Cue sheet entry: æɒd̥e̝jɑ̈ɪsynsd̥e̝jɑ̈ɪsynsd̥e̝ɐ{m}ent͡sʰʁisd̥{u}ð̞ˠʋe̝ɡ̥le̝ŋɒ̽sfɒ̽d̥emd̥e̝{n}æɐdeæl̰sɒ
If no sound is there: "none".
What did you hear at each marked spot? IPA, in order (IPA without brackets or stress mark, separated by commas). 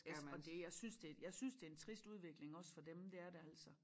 none, u, none